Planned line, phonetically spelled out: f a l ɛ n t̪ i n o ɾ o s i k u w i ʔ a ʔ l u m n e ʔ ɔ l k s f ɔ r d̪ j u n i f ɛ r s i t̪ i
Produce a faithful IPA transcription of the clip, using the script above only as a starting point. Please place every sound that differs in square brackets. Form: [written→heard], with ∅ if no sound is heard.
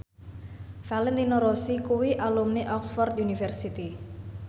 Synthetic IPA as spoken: f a l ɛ n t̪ i n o ɾ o s i k u w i ʔ a [ʔ→∅] l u m n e ʔ ɔ [l→∅] k s f ɔ r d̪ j u n i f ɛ r s i t̪ i